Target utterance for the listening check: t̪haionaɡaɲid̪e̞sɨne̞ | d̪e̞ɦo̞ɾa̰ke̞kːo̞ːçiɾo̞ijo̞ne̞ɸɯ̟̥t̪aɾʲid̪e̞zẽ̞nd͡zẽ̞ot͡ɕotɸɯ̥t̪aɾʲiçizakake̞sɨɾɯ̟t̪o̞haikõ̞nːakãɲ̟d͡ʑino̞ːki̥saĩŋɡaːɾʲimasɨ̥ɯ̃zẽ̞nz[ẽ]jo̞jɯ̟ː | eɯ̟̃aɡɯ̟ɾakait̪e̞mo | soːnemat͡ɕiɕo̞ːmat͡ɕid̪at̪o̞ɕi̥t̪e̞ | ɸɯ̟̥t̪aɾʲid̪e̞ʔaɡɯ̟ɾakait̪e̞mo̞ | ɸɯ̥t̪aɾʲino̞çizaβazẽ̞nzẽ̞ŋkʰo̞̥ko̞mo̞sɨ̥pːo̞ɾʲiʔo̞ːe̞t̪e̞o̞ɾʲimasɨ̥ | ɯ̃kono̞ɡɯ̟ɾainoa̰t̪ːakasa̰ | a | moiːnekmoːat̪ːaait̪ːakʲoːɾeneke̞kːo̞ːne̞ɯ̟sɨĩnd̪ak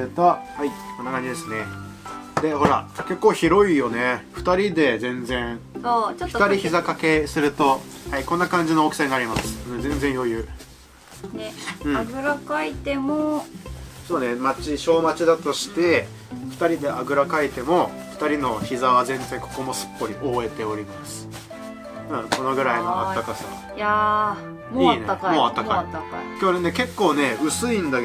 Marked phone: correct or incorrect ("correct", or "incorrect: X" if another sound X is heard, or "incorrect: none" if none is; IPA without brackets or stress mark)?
correct